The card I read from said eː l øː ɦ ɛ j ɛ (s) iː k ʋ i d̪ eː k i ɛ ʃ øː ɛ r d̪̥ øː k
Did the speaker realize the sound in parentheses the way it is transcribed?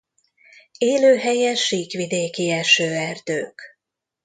no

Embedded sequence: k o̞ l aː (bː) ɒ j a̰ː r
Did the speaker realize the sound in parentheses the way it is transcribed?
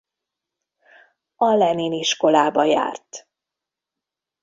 no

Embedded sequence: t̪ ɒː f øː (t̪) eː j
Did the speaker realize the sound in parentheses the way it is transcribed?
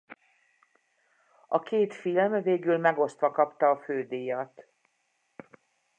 no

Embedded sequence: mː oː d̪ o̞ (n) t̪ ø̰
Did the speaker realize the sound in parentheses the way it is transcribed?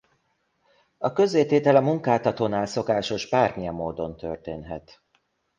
yes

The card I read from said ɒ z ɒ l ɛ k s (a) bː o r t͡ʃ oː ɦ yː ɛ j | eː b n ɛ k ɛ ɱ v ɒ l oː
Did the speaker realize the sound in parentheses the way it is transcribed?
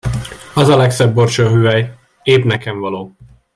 no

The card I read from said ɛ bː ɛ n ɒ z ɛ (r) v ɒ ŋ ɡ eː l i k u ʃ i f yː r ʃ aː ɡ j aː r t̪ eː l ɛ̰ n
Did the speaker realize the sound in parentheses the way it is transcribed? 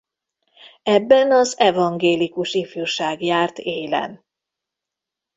no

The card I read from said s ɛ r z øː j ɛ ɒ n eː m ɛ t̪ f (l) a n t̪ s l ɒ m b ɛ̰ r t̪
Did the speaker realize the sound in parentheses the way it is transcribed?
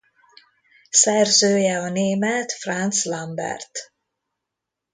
no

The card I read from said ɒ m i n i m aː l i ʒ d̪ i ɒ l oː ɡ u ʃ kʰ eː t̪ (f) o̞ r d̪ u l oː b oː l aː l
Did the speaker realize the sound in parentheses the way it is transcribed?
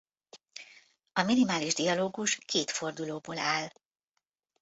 yes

